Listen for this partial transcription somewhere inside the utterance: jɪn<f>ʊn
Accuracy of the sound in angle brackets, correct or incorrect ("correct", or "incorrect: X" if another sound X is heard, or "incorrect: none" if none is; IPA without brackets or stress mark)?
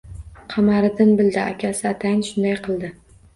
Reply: incorrect: ʃ